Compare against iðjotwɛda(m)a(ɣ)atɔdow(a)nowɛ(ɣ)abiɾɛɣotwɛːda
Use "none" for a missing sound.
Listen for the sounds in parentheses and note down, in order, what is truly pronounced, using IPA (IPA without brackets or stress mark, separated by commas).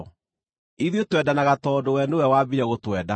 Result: n, ɣ, ɛ, w